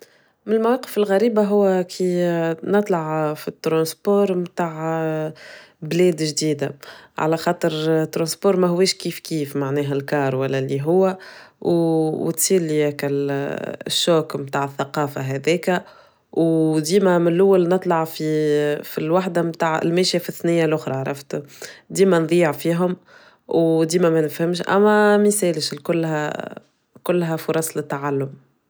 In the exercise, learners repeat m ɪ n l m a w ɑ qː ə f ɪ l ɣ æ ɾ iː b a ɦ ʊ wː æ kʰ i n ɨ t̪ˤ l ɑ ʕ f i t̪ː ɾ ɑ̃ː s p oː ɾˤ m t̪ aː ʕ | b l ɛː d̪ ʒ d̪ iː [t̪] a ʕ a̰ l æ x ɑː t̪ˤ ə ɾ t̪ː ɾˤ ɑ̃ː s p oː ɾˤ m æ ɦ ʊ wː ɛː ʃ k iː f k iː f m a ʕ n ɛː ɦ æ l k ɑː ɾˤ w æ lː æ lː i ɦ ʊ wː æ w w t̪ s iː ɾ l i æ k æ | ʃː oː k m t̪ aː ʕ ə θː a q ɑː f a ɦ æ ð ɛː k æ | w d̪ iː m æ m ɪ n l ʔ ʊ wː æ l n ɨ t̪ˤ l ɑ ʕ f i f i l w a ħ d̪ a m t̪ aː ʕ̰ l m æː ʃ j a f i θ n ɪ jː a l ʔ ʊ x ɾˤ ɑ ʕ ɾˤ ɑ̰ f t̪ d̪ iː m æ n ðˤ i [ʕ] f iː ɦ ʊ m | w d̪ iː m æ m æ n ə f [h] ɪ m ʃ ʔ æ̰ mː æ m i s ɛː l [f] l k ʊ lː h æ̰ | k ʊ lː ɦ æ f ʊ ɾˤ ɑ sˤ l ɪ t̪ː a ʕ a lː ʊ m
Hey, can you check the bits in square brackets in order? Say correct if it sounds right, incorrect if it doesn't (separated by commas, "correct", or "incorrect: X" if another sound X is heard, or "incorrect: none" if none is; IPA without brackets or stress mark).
incorrect: d̪, correct, correct, incorrect: ʃ